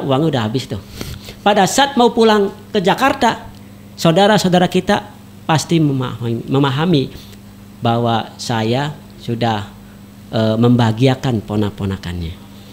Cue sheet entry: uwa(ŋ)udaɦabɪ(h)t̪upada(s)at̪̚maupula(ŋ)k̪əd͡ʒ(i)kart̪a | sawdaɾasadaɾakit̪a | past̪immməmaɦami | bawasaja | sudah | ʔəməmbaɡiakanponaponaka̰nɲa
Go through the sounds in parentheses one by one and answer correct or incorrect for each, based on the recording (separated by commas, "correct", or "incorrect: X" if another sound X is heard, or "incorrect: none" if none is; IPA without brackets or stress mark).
correct, incorrect: s, correct, correct, incorrect: a